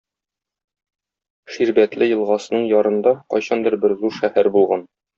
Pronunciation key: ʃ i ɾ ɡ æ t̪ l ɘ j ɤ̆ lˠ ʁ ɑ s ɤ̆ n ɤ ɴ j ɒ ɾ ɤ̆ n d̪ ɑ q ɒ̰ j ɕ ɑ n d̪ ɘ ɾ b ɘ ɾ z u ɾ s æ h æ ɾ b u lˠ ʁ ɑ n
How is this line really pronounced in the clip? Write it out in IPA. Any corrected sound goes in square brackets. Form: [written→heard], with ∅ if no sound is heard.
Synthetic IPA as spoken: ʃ i ɾ [ɡ→b] æ t̪ l ɘ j ɤ̆ lˠ ʁ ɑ s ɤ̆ n ɤ ɴ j ɒ ɾ ɤ̆ n d̪ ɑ q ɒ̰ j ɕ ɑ n d̪ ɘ ɾ b ɘ ɾ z u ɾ [s→ʃ] æ h æ ɾ b u lˠ ʁ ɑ n